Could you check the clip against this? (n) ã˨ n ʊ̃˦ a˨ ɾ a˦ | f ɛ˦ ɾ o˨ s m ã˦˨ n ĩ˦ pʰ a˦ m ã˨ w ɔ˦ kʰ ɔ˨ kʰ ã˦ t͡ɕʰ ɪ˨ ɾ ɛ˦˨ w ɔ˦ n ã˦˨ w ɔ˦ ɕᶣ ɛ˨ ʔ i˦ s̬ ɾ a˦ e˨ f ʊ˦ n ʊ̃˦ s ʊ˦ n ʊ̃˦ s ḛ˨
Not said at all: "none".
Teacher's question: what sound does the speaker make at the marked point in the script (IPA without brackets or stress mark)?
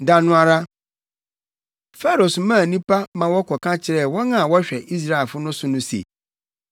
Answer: d